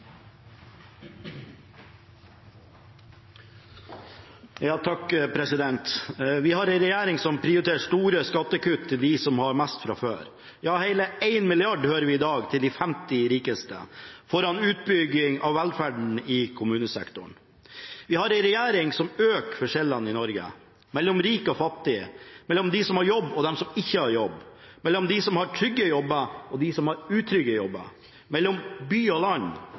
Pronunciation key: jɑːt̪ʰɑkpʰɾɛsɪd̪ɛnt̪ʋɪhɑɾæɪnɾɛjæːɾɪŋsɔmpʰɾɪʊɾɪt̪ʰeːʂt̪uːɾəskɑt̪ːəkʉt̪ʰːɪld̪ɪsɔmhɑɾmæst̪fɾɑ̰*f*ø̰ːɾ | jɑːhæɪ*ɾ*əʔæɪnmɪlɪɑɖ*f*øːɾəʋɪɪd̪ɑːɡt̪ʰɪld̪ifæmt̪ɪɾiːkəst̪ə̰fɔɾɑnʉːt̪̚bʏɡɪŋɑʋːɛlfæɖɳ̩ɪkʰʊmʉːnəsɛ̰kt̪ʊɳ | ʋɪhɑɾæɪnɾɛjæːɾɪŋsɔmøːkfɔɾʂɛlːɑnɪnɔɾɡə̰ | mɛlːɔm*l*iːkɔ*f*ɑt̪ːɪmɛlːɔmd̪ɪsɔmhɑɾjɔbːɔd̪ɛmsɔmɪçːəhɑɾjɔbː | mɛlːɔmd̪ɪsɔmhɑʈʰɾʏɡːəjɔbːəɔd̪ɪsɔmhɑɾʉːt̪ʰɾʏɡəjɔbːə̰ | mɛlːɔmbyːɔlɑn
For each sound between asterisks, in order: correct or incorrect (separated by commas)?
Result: correct, incorrect, incorrect, incorrect, correct